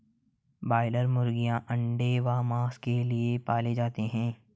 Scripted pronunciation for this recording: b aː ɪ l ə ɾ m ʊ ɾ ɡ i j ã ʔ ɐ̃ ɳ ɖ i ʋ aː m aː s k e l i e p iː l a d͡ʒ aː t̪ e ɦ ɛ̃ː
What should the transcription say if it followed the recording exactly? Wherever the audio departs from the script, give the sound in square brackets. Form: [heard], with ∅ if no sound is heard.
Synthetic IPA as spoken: b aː ɪ l ə ɾ m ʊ ɾ ɡ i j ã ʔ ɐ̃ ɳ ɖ [e] ʋ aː m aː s k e l i e p [aː] l [e] d͡ʒ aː t̪ e ɦ ɛ̃ː